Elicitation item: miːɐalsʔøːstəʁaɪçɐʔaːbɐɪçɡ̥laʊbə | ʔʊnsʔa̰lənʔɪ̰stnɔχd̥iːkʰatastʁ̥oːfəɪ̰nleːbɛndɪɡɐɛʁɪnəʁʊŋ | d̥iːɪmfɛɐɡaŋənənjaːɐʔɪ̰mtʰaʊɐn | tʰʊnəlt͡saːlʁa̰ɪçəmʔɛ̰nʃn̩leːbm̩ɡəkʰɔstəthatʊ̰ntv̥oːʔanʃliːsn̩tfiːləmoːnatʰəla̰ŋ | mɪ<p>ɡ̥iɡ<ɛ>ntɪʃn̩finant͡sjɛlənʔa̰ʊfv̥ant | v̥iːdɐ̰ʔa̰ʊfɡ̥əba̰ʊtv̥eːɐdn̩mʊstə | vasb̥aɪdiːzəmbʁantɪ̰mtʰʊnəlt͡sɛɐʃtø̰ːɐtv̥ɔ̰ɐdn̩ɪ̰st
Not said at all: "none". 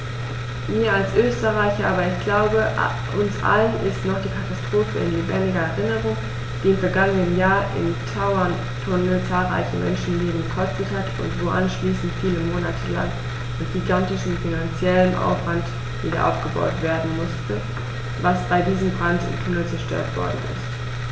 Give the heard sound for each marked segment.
t, a

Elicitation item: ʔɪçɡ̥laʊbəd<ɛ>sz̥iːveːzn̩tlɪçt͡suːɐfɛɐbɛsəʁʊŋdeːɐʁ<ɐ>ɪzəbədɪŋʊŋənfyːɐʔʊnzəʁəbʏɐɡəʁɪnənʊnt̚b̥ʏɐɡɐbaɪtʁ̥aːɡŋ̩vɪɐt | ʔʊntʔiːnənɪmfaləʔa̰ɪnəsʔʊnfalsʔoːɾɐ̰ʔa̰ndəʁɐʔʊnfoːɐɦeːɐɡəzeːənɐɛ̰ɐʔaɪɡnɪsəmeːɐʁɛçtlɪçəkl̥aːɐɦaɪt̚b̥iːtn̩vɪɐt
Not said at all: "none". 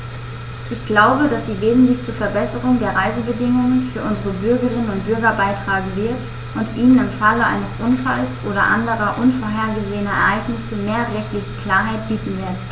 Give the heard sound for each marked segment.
a, a

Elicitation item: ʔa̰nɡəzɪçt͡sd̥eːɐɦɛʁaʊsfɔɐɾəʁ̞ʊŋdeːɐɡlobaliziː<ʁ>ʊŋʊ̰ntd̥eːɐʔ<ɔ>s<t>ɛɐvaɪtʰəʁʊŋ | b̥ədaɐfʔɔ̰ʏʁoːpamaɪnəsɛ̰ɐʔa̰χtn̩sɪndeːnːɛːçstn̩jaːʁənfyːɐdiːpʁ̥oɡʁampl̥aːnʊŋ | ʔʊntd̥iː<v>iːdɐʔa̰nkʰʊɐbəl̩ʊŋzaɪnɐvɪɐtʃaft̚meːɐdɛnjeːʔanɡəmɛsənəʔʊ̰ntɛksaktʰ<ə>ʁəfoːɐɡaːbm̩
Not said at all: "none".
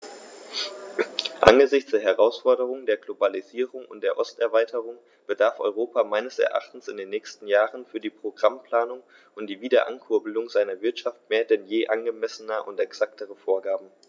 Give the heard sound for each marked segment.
ʁ, ɔ, t, v, ə

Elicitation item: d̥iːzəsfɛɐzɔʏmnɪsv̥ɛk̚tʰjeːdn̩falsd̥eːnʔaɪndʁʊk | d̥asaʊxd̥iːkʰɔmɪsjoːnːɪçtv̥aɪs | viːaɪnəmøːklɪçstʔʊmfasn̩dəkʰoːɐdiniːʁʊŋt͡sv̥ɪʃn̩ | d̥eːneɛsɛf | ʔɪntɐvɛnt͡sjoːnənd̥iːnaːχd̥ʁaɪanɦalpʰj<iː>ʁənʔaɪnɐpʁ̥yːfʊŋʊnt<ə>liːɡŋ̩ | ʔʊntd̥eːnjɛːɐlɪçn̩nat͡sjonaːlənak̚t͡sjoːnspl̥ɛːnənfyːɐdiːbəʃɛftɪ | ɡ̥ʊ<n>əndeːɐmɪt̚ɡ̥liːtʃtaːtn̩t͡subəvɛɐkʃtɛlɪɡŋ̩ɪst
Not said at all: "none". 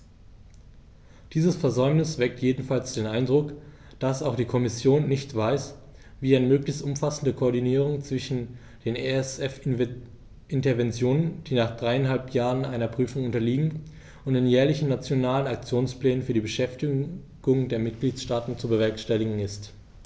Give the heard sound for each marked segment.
aː, ɐ, ŋ

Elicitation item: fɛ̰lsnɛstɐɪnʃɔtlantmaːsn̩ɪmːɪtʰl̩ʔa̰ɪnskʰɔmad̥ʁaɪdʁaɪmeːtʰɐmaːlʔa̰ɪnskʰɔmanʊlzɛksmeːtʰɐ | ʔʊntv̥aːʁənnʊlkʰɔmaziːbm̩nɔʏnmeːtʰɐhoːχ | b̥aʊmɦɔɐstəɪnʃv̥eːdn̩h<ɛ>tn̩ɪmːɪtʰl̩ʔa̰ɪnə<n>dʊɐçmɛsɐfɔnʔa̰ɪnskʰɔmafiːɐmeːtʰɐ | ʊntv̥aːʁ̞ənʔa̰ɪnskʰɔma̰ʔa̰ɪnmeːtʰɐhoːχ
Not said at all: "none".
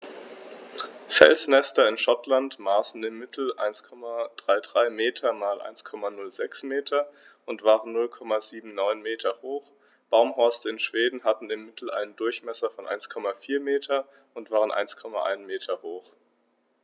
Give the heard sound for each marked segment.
a, n

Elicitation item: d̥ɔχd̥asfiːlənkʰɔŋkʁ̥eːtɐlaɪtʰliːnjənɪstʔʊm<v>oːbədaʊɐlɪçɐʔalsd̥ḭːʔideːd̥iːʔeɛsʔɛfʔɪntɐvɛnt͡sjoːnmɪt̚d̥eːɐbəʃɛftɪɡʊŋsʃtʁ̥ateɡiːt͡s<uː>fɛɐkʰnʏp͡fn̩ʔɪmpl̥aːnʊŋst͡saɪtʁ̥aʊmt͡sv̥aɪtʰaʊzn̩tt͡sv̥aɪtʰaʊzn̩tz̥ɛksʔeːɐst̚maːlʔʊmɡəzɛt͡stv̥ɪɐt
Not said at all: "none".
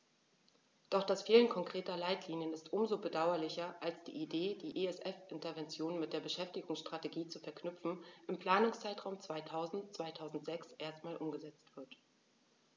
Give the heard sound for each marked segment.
z, u

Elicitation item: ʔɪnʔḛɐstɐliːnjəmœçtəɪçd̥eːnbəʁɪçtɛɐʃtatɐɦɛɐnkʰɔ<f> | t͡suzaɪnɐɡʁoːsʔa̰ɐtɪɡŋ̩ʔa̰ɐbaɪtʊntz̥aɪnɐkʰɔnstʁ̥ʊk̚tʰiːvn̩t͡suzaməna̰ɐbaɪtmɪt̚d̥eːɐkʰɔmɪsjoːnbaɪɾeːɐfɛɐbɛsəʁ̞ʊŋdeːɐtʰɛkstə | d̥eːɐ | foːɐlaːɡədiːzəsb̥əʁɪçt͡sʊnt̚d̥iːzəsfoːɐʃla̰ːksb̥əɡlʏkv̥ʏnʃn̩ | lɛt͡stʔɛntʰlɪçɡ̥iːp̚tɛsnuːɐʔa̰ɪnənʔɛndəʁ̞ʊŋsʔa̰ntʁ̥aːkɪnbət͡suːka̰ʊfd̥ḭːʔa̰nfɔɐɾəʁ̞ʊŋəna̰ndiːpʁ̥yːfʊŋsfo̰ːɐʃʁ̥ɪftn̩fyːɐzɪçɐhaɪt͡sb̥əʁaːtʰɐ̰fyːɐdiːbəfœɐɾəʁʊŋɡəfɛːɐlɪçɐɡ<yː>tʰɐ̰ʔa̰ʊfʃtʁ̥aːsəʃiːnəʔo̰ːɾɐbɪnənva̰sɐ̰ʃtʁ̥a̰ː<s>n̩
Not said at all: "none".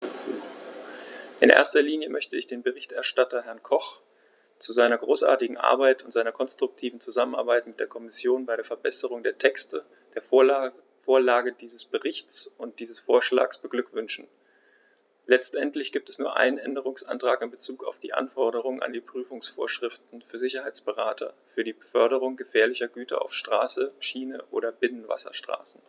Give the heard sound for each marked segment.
χ, yː, s

